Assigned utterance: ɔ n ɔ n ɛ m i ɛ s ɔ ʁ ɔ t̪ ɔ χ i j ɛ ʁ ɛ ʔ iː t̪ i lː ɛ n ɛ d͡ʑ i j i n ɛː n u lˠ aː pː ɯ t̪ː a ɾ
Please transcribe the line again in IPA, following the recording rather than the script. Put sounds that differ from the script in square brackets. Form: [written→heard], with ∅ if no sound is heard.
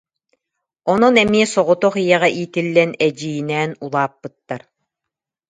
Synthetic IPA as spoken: ɔ n ɔ n ɛ m i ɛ s ɔ ʁ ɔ t̪ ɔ χ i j ɛ ʁ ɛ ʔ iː t̪ i lː ɛ n ɛ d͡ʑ i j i n ɛː n u lˠ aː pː ɯ t̪ː a ɾ